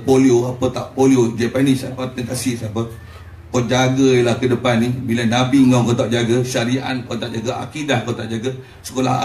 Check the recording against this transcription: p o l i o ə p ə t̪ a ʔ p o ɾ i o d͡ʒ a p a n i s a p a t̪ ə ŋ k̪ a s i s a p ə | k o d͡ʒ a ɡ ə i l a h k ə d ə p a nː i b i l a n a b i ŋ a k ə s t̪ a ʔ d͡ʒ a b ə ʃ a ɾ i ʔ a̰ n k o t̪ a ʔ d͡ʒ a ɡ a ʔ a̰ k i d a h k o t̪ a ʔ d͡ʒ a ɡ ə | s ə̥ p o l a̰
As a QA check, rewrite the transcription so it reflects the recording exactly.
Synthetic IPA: p o l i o a p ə t̪ a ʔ p o l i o d͡ʒ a p a n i s a p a t̪ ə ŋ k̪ a s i s a p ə | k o d͡ʒ a ɡ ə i l a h k ə d ə p a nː i b i l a n a b i ŋ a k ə t̪ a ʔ d͡ʒ a ɡ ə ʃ a ɾ i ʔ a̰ n k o t̪ a ʔ d͡ʒ a ɡ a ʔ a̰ k i d a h k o t̪ a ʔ d͡ʒ a ɡ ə | s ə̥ k o l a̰